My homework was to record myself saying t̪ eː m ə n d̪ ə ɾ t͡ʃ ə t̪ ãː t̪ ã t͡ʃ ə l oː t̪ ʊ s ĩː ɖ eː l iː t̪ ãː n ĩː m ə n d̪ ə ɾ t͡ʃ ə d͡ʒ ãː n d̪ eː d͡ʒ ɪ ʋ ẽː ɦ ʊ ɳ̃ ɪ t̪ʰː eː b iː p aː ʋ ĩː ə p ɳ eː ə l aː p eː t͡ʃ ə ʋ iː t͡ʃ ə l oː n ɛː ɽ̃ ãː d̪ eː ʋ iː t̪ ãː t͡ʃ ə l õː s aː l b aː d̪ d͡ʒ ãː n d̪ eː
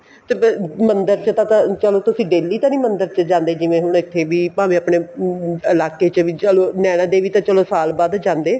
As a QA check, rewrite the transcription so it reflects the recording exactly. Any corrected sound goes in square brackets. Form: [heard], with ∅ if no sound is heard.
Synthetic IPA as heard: t̪ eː m ə n d̪ ə ɾ t͡ʃ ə t̪ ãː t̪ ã t͡ʃ ə l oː t̪ ʊ s ĩː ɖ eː l iː t̪ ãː n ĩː m ə n d̪ ə ɾ t͡ʃ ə d͡ʒ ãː n d̪ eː d͡ʒ ɪ ʋ ẽː ɦ ʊ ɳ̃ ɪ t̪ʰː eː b iː p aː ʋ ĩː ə p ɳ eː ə l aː [k] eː t͡ʃ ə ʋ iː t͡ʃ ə l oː n ɛː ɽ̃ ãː d̪ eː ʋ iː t̪ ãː t͡ʃ ə l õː s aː l b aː d̪ d͡ʒ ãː n d̪ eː